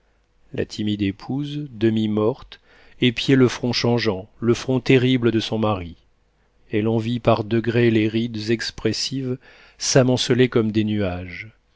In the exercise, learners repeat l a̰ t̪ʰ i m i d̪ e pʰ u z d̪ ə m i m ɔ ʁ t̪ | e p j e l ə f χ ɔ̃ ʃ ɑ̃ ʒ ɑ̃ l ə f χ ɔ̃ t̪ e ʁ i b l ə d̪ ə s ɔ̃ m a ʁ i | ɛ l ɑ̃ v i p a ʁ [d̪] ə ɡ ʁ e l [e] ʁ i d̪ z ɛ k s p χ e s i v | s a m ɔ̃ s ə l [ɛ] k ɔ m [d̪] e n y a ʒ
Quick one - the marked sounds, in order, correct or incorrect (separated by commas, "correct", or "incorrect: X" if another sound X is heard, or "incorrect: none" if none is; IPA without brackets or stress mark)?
correct, correct, incorrect: e, correct